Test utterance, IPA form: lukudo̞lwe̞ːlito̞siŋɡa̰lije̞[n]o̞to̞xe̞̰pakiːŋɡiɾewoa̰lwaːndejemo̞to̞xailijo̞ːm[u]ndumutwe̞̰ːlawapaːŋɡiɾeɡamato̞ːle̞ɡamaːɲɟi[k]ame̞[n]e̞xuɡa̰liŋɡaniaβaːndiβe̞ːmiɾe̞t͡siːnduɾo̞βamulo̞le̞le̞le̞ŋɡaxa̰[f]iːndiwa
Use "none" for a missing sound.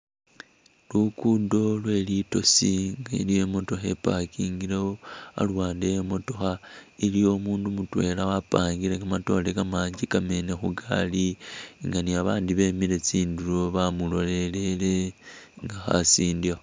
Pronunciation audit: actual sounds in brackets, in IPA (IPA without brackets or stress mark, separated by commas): m, uː, k, n, s